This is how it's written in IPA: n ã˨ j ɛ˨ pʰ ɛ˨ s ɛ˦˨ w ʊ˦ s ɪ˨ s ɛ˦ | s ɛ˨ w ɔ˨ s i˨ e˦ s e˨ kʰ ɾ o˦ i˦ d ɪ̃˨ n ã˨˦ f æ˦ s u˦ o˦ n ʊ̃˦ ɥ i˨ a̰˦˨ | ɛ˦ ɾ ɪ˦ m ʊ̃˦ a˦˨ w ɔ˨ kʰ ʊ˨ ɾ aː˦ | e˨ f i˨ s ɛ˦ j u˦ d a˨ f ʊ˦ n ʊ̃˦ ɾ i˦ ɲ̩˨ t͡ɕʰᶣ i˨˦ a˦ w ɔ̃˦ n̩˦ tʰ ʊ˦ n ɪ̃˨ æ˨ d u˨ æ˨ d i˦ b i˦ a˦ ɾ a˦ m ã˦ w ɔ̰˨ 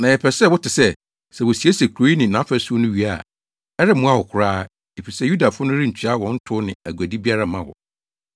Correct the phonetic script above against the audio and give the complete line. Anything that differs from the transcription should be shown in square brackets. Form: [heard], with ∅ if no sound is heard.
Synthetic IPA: n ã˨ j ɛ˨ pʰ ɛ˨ s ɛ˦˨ w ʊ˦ [t] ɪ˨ s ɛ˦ | s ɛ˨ w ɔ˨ s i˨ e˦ s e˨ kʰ ɾ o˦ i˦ [n] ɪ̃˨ n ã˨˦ f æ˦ s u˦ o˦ n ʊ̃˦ ɥ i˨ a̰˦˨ | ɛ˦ ɾ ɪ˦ m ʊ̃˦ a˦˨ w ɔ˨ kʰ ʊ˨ ɾ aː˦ | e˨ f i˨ s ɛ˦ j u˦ d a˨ f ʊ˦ n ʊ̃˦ ɾ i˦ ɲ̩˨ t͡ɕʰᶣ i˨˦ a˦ w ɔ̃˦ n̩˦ tʰ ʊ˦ n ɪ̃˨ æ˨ [ɡ] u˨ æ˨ d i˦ b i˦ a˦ ɾ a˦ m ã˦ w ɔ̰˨